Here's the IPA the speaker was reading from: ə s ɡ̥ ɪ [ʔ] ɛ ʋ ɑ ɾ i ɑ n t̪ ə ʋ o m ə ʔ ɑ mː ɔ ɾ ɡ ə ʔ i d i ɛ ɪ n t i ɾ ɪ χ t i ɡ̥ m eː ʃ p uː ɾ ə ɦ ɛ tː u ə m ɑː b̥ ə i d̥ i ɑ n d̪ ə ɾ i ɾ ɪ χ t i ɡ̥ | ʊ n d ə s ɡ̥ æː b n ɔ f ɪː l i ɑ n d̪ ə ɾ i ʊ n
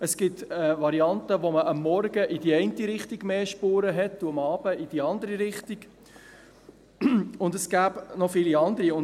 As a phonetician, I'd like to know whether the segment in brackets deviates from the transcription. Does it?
yes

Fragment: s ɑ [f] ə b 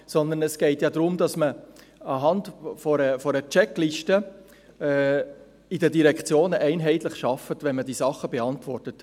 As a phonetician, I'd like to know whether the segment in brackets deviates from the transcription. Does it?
yes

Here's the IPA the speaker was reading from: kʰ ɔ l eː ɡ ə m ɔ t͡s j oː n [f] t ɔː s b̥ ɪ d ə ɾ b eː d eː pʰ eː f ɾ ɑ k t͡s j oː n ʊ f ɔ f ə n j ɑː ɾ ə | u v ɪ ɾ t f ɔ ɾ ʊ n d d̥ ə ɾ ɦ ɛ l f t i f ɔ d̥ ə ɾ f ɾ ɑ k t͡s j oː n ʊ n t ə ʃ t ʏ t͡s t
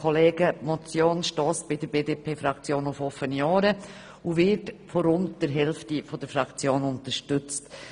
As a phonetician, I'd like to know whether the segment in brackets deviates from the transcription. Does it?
yes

